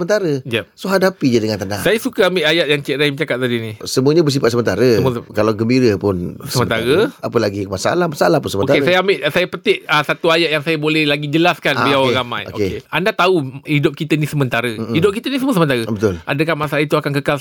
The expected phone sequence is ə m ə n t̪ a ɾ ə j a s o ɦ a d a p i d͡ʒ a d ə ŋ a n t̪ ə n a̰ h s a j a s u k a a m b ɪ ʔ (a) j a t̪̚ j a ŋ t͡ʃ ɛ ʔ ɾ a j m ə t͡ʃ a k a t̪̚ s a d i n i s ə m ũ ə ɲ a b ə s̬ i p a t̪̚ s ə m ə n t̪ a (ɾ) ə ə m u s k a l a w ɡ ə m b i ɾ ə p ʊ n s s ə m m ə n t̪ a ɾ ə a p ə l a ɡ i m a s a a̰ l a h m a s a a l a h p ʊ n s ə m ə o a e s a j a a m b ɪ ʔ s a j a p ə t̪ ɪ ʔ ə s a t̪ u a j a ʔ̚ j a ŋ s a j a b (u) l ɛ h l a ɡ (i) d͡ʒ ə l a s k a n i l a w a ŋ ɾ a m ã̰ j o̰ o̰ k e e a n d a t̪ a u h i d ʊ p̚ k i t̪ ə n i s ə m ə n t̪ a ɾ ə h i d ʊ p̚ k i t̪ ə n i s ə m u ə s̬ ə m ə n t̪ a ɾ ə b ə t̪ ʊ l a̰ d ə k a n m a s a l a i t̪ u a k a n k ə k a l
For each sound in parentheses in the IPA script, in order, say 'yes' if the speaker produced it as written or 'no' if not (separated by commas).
yes, yes, no, yes